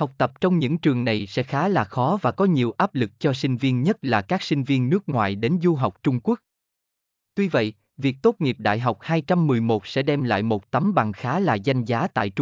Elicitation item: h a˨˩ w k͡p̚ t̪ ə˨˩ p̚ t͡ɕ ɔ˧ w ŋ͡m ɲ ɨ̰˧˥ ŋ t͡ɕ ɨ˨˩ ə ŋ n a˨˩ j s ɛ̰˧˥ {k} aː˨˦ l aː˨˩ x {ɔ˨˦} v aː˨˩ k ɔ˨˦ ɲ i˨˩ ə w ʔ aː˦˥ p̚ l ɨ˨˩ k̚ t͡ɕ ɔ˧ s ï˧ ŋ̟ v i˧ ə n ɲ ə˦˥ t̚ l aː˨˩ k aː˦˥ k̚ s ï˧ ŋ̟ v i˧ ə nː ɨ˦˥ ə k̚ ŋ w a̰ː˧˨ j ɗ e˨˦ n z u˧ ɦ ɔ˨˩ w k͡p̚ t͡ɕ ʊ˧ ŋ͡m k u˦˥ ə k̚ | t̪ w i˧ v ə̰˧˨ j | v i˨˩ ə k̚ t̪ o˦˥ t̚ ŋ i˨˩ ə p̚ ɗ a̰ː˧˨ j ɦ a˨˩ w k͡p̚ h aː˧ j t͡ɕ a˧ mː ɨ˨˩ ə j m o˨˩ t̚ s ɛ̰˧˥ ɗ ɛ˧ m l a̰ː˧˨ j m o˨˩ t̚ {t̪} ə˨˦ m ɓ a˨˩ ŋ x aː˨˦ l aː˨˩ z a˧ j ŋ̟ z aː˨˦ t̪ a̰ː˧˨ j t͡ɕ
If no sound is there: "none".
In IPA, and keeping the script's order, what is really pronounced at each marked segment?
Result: x, ɔ˨˦, t̪

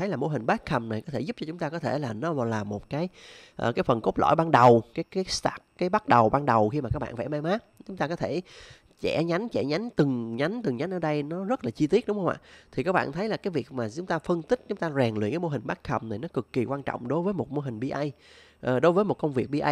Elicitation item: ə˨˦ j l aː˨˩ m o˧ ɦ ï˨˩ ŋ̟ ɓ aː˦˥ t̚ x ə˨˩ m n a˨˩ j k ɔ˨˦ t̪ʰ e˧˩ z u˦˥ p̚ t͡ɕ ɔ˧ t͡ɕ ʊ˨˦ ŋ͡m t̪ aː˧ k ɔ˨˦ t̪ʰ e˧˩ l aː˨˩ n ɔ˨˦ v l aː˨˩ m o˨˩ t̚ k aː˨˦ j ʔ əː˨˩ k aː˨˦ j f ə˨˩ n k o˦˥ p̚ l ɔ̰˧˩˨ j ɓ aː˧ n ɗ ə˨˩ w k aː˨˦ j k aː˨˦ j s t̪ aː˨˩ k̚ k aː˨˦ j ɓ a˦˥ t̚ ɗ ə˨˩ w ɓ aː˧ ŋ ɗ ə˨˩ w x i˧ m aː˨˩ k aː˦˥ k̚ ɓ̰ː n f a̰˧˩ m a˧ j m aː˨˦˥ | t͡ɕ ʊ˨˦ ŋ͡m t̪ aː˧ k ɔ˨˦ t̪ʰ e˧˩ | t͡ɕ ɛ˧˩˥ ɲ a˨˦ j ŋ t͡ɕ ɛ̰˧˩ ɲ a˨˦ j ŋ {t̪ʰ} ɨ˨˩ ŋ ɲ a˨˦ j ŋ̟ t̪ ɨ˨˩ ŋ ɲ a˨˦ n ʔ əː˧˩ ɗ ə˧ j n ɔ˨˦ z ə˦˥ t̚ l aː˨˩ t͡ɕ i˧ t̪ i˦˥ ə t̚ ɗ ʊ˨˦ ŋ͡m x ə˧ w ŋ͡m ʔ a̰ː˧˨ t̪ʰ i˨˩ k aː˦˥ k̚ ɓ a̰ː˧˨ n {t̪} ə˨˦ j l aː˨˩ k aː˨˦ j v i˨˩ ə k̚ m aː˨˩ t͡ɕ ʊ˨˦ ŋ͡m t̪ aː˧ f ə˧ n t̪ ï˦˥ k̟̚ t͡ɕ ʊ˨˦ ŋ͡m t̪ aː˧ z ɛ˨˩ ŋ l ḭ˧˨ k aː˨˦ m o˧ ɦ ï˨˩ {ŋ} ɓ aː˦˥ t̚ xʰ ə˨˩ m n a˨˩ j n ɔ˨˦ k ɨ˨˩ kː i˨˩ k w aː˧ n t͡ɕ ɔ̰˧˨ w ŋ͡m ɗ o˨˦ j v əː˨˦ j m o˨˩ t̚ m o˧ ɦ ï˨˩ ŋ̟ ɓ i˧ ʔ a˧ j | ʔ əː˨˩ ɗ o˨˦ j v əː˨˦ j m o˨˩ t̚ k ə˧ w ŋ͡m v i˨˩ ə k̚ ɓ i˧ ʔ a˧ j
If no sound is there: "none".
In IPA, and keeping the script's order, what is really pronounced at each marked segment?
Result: t̪, t̪ʰ, ŋ

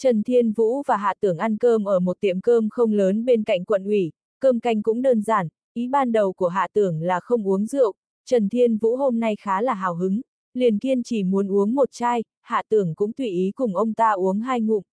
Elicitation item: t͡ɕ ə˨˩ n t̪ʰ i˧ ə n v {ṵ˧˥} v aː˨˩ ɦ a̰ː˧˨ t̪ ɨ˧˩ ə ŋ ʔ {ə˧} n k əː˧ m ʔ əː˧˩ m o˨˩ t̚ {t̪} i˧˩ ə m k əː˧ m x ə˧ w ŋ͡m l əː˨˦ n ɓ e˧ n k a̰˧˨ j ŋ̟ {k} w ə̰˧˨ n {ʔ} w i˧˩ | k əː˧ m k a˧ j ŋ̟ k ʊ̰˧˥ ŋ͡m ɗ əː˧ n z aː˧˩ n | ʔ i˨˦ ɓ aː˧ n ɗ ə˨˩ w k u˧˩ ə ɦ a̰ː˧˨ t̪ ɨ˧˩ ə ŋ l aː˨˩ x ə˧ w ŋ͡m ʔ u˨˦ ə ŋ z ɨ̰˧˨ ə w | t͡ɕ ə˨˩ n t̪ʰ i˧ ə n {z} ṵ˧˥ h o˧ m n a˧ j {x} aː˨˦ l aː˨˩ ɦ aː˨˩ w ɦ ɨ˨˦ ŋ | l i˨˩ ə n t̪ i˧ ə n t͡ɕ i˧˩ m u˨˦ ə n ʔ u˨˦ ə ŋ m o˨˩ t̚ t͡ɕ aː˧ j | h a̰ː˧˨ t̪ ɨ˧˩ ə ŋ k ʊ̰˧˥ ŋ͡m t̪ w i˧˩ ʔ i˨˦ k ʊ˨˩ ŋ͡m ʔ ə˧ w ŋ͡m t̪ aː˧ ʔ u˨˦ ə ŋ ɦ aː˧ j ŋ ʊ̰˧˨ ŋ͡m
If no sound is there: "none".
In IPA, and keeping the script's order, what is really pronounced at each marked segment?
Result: ṵ˧˥, a˧, t̪, k, ʔ, v, x

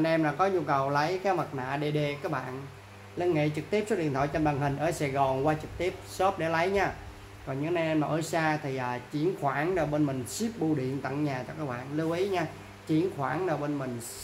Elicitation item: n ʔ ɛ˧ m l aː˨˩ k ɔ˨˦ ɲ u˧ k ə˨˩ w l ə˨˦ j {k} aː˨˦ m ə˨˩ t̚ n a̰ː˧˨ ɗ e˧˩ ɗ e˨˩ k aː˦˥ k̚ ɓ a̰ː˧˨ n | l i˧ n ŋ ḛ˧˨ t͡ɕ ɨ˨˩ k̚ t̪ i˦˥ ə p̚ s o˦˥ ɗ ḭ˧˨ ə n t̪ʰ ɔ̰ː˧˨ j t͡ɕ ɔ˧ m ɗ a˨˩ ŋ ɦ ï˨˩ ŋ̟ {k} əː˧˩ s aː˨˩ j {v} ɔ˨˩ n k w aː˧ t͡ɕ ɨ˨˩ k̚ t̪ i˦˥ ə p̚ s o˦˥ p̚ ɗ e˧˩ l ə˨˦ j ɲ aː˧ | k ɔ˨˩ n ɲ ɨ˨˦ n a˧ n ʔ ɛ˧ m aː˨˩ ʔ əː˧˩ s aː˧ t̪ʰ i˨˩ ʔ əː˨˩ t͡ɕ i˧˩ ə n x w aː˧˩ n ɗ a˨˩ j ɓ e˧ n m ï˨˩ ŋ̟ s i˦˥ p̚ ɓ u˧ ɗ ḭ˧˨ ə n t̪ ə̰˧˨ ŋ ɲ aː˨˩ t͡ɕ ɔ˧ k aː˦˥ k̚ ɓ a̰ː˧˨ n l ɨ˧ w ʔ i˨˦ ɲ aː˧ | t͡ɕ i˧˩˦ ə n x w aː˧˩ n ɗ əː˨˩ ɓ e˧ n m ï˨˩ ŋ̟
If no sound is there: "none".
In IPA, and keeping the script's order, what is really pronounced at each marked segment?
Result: k, ʔ, ɣ

